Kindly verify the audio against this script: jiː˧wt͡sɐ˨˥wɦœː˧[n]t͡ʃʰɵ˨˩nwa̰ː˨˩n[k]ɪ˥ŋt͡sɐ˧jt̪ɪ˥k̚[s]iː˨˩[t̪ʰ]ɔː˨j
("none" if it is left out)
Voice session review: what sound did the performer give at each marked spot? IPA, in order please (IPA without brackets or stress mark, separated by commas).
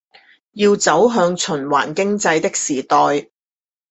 ŋ, k, s, t̪